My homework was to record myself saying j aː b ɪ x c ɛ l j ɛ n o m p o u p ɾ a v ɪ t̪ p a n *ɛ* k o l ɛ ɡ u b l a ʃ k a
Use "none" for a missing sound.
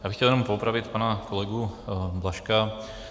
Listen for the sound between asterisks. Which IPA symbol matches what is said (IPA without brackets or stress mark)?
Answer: a